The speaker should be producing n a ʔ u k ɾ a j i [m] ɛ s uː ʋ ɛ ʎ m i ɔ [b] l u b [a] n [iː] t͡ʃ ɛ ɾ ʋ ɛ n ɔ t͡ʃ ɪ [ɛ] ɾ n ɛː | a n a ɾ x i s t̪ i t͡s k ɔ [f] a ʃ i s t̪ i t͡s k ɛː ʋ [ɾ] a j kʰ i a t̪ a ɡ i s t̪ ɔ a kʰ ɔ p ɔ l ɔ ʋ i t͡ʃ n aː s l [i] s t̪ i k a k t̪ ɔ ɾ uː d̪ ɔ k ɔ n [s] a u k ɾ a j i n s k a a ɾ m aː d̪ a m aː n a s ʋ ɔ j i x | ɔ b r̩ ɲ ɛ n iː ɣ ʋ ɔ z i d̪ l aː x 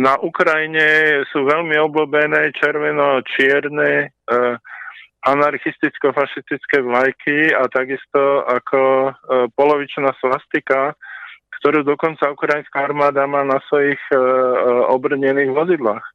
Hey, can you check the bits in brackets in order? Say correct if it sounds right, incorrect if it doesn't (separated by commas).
incorrect, correct, incorrect, incorrect, correct, correct, incorrect, incorrect, incorrect